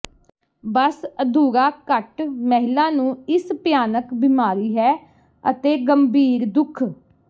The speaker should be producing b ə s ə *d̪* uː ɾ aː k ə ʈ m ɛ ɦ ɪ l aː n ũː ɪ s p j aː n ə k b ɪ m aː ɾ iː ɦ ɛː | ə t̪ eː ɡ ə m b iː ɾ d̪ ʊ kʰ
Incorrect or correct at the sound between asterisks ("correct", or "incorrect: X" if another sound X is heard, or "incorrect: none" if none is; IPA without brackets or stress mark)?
correct